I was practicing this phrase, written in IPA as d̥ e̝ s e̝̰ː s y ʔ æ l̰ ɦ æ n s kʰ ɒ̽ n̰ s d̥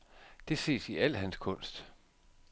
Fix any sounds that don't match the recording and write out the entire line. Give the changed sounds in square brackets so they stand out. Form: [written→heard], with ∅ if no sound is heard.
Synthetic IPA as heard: d̥ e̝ s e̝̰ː s [y→i] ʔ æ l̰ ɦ æ n s kʰ [ɒ̽→ɔ̽] n̰ s d̥

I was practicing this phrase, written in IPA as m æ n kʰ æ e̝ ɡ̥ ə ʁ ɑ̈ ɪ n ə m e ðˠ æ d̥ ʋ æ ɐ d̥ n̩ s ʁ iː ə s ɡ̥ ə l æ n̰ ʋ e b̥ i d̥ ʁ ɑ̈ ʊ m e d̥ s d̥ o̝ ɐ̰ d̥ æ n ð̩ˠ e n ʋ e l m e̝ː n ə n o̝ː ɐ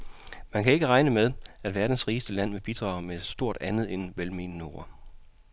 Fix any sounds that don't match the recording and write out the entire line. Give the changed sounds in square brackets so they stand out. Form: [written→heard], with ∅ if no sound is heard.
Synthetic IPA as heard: m æ n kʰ æ e̝ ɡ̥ ə ʁ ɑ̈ ɪ n ə m e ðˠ æ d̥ ʋ æ ɐ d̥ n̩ s ʁ iː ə s [ɡ̥→d̥] ə l æ n̰ ʋ e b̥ i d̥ ʁ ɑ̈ ʊ m e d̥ s d̥ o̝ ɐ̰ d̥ æ n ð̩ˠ e n ʋ e l m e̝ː n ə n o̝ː ɐ

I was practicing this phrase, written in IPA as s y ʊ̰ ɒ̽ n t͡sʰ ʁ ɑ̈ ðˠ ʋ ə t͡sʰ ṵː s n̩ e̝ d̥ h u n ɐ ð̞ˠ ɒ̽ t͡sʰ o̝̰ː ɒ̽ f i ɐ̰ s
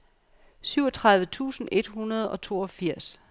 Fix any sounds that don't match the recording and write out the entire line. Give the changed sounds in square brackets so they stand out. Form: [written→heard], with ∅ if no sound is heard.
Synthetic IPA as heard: s y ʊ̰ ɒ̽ [n→∅] t͡sʰ ʁ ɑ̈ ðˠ ʋ ə t͡sʰ ṵː s n̩ e̝ d̥ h u n ɐ ð̞ˠ ɒ̽ t͡sʰ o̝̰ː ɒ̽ f i ɐ̰ s

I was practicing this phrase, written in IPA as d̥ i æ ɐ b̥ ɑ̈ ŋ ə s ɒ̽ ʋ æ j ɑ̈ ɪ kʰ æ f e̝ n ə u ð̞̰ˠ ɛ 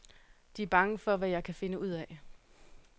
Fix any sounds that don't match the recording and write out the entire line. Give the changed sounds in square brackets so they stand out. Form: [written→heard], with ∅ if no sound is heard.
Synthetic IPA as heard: d̥ i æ ɐ b̥ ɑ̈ ŋ ə [s→f] ɒ̽ ʋ æ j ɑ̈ ɪ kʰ æ f e̝ n ə u ð̞̰ˠ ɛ

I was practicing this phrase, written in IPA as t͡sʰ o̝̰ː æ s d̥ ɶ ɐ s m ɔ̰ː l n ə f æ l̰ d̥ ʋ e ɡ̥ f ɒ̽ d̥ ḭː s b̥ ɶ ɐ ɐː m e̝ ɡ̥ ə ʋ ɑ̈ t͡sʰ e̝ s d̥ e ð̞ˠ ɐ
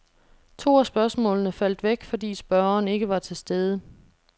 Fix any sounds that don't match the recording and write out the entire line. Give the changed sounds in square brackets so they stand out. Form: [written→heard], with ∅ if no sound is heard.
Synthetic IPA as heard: t͡sʰ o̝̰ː æ s [d̥→b̥] ɶ ɐ s m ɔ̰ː l n ə f æ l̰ d̥ ʋ e ɡ̥ f ɒ̽ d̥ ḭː s b̥ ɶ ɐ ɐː [m→n] e̝ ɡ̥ ə ʋ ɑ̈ t͡sʰ e̝ s d̥ e ð̞ˠ [ɐ→ə]

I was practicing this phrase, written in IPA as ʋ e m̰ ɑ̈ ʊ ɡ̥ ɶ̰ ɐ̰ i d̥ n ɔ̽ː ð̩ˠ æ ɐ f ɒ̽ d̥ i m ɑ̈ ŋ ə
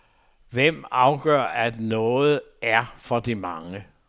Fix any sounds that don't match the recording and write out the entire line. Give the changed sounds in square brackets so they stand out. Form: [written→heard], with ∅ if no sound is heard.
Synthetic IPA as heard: ʋ e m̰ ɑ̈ ʊ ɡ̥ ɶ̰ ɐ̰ [i→æ] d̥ n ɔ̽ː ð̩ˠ æ ɐ f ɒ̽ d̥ i m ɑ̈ ŋ ə

